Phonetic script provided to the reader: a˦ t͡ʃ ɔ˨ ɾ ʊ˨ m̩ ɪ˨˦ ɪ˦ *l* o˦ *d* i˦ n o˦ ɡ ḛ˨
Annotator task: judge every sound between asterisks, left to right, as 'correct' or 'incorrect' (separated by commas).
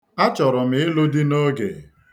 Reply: correct, correct